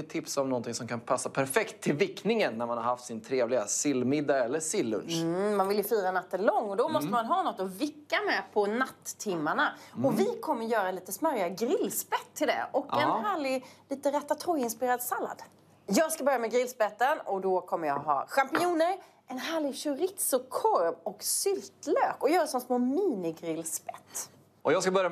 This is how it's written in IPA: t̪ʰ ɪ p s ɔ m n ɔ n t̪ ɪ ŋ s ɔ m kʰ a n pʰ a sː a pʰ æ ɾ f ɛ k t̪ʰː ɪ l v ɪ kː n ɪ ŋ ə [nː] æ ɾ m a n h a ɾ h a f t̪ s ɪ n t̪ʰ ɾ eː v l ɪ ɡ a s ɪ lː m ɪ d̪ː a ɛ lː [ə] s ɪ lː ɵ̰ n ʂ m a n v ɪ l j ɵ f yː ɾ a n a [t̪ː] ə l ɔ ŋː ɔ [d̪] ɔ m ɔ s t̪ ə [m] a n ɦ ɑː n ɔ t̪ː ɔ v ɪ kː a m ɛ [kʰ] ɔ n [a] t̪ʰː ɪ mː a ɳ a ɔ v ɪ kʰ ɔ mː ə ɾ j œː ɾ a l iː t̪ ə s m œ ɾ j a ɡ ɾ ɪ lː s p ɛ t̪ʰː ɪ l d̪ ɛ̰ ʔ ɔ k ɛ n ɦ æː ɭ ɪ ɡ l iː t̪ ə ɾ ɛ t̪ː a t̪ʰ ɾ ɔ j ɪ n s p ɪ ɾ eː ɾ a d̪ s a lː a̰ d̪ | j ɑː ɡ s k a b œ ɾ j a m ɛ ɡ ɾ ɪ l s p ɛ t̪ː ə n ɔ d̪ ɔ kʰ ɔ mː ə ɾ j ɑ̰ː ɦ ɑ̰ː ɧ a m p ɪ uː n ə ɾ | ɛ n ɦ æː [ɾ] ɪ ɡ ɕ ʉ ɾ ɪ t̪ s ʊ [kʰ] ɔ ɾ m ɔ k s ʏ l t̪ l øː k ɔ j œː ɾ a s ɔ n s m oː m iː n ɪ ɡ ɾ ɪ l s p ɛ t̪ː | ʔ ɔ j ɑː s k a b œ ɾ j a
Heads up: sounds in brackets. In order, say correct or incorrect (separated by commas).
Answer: correct, correct, correct, correct, correct, incorrect, correct, incorrect, correct